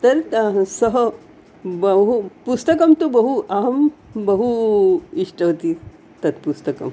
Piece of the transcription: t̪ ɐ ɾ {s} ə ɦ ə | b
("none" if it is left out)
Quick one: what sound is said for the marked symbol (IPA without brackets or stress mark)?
s